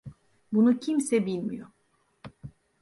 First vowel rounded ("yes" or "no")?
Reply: yes